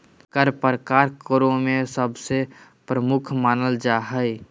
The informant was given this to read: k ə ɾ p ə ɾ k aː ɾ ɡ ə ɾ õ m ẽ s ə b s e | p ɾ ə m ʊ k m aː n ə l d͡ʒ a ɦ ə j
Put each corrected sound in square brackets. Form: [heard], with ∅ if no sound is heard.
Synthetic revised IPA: k ə ɾ p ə ɾ k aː ɾ [k] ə ɾ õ m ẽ s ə b s e | p ɾ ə m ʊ [kʰ] m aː n ə l d͡ʒ a ɦ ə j